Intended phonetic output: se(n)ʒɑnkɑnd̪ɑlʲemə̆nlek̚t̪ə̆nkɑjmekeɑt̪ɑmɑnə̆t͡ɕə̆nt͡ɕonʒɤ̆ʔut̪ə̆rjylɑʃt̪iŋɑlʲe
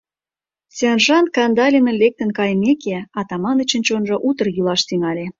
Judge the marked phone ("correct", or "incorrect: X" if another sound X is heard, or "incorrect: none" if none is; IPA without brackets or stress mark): correct